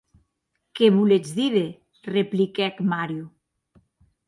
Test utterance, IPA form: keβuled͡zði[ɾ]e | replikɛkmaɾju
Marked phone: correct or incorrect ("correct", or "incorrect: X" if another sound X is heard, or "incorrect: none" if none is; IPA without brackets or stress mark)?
correct